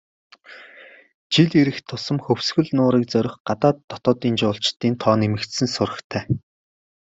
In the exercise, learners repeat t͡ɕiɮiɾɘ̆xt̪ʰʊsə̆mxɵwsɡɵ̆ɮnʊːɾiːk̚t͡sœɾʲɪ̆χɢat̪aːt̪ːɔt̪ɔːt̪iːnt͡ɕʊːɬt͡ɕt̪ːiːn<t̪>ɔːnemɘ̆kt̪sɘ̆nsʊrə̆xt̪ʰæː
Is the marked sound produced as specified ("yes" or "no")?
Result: no